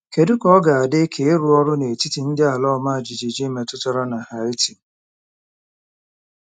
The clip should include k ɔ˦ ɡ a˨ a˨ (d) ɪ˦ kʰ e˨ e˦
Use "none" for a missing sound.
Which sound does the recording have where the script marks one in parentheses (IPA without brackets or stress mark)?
d